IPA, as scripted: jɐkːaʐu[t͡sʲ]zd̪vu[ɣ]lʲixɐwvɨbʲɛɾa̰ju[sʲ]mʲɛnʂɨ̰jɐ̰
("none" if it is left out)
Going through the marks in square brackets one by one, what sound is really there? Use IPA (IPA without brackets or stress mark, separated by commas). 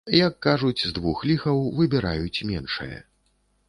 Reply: t͡sʲ, x, t͡sʲ